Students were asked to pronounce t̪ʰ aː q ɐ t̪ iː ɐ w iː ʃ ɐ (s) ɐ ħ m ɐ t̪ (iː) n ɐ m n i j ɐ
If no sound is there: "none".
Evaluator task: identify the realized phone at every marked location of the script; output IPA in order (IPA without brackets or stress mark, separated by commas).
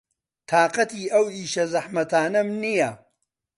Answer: z, aː